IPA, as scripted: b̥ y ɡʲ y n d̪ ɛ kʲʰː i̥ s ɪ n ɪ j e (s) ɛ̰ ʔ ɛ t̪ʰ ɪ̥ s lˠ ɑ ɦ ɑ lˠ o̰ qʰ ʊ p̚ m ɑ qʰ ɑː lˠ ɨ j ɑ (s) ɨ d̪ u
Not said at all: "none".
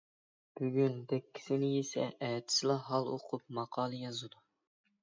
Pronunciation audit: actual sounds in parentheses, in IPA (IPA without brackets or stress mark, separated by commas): s, z